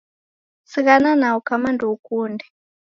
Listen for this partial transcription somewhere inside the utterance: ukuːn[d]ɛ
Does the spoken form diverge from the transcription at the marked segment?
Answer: no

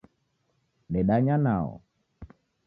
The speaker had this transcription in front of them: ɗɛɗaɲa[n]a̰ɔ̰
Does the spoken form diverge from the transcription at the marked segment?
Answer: no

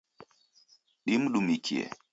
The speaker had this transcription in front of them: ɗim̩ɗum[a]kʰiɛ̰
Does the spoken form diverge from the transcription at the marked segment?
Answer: yes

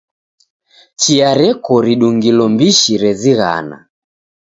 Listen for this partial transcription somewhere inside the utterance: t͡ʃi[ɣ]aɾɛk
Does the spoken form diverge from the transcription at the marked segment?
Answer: yes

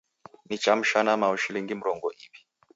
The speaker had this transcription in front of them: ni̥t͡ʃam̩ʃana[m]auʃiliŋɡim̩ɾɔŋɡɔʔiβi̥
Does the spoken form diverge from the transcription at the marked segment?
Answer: no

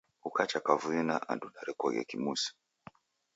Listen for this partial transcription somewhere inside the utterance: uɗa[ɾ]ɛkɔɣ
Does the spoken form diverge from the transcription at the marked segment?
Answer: no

